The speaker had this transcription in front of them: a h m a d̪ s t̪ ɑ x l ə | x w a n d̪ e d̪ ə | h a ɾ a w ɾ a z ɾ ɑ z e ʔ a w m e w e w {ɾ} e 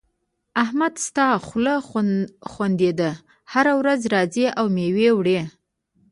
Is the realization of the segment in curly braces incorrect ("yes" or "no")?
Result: yes